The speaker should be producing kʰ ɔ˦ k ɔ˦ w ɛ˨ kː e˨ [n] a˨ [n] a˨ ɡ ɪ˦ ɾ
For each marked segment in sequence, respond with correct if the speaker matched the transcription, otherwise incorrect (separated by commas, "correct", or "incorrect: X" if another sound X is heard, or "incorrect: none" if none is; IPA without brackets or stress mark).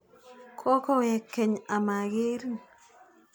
incorrect: ɲ, incorrect: m